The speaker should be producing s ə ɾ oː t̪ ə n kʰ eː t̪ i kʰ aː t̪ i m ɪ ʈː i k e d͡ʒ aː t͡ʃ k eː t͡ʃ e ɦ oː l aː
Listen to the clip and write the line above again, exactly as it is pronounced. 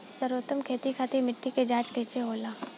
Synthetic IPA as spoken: s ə ɾ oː t̪ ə m kʰ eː t̪ i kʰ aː t̪ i m ɪ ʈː i k e d͡ʒ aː t͡ʃ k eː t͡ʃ e ɦ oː l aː